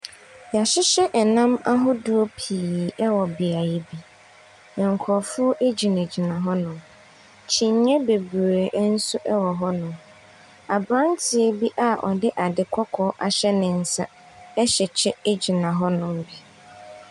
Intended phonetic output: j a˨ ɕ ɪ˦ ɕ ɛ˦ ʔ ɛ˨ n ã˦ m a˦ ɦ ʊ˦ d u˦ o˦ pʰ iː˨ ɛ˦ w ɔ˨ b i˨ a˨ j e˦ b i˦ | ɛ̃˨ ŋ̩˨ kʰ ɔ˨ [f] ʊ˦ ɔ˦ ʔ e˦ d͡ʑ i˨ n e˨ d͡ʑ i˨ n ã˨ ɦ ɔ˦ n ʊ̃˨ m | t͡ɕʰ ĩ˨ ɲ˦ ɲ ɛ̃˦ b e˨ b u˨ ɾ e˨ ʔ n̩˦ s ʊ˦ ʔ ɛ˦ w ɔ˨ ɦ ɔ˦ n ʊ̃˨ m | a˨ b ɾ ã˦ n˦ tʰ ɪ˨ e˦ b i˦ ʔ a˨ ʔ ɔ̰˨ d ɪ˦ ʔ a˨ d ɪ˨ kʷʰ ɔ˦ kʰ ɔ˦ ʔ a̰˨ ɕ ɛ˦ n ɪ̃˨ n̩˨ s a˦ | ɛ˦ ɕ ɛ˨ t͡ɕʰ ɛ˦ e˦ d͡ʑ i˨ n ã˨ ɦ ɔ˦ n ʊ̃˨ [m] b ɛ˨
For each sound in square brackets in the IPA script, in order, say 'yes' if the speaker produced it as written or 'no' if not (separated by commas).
yes, yes